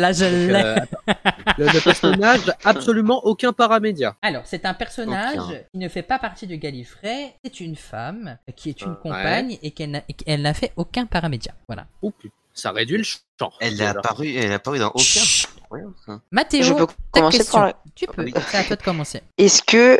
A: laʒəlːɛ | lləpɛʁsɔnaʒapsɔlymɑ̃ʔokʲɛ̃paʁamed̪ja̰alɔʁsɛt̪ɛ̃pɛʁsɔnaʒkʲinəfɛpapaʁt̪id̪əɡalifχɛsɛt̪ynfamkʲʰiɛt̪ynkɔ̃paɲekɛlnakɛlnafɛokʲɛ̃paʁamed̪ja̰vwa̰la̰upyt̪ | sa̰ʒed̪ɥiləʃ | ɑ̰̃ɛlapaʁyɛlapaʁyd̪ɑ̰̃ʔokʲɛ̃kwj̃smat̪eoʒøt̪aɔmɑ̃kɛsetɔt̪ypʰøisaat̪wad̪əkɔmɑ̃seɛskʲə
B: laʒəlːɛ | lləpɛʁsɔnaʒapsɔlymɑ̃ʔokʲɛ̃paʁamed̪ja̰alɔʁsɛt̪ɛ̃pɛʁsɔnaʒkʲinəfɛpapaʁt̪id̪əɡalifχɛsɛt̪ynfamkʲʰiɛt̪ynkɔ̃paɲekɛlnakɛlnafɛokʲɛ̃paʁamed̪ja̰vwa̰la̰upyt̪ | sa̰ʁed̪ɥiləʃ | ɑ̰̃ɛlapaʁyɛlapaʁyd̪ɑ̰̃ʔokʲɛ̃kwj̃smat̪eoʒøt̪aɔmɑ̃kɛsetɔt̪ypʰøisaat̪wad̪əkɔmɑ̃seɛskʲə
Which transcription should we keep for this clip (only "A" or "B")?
B